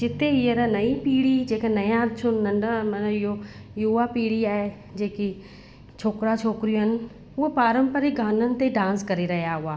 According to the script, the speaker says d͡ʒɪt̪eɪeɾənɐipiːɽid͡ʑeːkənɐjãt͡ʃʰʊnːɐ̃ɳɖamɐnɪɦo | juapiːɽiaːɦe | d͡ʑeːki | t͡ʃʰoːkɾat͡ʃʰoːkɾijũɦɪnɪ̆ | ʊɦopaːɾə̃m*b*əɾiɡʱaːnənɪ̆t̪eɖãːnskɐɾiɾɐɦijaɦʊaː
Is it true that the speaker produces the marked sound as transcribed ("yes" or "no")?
no